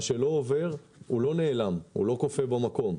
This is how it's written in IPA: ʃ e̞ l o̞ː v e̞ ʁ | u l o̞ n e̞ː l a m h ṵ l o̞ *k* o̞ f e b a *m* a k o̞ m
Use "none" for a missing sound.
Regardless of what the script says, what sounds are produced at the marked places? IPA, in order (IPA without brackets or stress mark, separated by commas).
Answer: k, m